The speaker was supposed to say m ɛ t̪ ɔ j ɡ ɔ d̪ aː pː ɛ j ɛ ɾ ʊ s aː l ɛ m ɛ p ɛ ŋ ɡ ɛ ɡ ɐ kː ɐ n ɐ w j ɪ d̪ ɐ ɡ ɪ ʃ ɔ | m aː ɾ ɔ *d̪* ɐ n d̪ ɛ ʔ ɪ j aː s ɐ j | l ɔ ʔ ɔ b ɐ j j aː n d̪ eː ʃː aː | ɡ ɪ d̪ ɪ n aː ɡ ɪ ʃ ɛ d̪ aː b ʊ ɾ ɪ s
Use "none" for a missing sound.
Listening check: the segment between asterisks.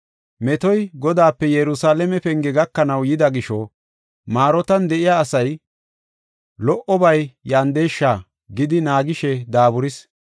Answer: t̪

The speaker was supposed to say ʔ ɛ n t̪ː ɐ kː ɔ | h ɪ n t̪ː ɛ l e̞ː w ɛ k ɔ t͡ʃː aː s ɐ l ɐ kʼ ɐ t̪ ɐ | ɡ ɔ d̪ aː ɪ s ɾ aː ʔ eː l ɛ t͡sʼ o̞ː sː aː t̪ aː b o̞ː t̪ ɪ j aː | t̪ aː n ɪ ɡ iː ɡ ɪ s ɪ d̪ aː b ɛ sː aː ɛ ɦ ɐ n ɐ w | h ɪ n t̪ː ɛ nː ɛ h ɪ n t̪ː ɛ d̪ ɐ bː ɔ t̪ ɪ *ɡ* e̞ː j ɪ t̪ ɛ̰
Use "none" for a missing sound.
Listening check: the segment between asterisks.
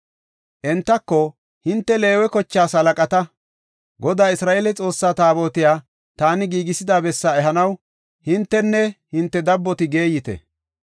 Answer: ɡ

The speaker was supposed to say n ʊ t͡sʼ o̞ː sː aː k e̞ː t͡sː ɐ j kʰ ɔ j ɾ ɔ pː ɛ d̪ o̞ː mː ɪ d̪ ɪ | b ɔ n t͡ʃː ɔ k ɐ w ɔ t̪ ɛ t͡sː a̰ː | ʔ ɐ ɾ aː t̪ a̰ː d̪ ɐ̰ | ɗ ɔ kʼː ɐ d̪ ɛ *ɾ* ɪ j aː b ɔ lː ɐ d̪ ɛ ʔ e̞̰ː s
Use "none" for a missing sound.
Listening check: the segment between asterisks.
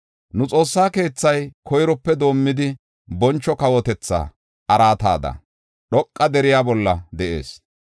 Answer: ɾ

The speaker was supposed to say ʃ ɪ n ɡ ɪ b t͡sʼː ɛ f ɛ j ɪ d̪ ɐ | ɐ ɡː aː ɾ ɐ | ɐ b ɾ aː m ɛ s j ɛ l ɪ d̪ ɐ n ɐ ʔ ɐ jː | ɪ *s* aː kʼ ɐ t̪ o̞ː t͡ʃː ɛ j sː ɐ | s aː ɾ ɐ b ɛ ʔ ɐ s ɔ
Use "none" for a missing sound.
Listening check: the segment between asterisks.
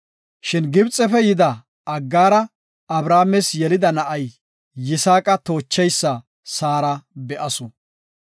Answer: s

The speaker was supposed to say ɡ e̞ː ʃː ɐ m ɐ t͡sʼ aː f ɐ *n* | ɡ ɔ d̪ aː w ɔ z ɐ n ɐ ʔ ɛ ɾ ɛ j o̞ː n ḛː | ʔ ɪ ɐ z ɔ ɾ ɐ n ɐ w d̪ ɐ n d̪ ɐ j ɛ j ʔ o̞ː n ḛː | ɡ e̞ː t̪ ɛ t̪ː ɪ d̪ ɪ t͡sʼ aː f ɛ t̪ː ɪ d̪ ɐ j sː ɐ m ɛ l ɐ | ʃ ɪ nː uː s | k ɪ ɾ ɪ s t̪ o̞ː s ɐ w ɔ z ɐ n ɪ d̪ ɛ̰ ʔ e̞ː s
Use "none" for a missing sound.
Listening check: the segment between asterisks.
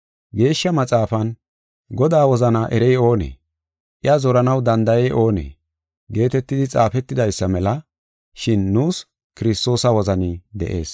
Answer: n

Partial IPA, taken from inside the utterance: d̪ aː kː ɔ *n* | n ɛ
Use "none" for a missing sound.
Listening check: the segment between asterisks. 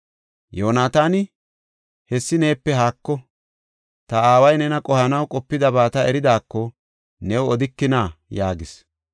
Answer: none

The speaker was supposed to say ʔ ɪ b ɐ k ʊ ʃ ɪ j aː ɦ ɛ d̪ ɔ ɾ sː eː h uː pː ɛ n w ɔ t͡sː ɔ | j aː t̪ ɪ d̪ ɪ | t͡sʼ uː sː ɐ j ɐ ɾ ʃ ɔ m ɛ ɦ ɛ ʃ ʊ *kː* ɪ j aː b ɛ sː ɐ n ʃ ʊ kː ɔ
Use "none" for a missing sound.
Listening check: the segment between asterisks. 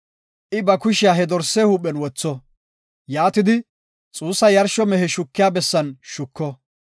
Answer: kː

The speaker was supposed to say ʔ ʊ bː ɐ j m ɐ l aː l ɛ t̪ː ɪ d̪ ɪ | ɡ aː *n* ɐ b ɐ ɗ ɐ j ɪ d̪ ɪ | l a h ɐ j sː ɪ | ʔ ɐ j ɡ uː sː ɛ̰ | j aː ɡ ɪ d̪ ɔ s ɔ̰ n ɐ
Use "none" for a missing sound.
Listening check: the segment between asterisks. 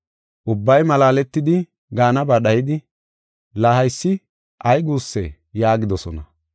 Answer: n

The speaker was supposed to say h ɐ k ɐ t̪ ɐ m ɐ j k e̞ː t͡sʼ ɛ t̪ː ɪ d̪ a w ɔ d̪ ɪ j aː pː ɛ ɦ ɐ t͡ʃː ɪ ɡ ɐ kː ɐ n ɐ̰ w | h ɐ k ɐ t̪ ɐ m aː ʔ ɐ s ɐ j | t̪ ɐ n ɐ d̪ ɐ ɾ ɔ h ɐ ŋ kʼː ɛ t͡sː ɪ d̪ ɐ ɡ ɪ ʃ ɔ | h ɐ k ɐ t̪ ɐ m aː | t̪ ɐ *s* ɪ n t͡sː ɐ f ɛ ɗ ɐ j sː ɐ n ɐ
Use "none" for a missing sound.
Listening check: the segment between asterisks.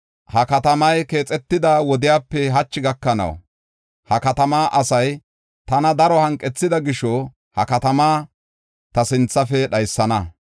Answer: s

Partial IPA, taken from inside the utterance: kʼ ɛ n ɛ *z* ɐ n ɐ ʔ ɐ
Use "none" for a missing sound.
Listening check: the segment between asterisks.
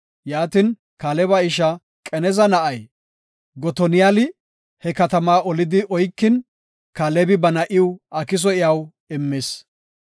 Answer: z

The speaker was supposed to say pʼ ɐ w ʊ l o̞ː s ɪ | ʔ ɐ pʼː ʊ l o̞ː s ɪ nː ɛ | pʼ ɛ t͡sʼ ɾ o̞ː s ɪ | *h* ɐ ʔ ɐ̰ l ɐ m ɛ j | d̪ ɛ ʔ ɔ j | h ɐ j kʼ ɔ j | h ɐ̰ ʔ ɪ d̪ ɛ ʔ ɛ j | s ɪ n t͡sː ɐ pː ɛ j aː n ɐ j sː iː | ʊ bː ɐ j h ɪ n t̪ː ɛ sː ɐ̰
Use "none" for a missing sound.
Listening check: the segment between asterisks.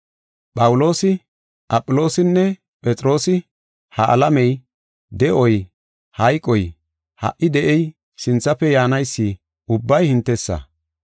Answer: h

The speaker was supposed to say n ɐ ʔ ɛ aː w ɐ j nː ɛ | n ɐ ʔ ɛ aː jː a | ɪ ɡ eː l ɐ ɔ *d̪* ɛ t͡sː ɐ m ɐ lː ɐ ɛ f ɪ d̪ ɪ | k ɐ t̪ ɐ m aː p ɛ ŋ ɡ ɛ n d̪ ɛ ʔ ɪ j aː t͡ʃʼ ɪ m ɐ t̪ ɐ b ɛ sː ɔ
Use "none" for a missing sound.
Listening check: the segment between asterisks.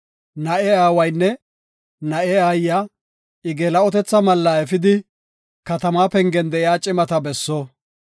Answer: t̪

